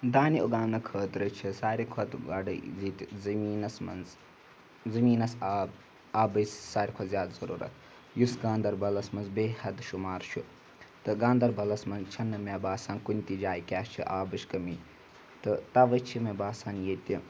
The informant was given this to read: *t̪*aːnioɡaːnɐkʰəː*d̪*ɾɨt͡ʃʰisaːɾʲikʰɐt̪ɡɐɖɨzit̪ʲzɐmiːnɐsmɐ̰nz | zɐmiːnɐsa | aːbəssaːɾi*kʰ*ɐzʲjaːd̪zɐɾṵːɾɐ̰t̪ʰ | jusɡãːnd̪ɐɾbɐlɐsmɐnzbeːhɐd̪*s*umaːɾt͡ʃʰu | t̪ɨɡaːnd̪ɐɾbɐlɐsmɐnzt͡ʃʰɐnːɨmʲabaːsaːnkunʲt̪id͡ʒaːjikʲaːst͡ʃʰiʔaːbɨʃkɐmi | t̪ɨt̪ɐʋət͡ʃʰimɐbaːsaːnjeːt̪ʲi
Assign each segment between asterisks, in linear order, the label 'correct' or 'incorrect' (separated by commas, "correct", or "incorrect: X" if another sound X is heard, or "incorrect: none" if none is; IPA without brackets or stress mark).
incorrect: d̪, incorrect: t̪, correct, incorrect: ʃ